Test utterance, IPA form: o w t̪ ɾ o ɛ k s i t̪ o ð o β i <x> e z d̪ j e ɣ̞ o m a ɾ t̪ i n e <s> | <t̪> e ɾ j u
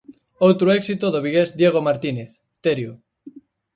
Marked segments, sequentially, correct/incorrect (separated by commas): incorrect, incorrect, correct